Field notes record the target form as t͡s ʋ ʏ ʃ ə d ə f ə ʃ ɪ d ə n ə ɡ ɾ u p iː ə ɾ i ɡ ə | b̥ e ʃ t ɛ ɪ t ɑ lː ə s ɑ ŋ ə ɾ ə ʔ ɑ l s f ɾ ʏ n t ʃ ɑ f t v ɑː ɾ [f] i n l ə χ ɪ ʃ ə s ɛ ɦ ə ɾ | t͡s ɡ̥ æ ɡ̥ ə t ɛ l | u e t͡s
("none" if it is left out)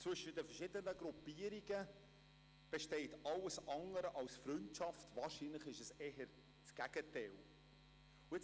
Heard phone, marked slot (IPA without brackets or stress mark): ʃ